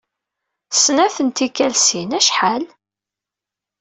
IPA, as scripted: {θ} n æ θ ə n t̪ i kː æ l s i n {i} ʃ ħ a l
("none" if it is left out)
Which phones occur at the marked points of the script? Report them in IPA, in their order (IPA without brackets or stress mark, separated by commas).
s, æ